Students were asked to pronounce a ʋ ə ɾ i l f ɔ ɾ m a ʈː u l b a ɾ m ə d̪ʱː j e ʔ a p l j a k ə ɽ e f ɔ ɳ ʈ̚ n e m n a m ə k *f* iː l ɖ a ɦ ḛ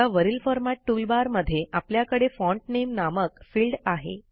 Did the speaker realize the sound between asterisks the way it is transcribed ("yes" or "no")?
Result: yes